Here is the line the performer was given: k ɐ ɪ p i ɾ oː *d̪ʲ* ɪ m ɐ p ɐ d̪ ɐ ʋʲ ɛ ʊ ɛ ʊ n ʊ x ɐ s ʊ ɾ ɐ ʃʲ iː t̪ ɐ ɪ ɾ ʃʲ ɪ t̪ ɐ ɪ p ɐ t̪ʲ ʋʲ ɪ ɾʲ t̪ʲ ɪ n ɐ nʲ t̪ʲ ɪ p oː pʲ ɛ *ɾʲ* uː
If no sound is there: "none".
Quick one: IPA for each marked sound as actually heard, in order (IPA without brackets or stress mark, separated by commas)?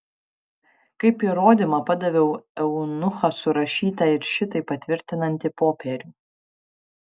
d̪ʲ, ɾʲ